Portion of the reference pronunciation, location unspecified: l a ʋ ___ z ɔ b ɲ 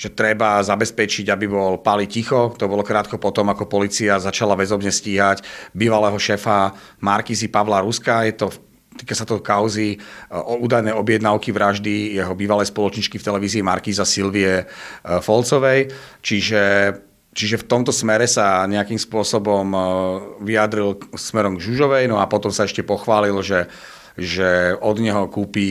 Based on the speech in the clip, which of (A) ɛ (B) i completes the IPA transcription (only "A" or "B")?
A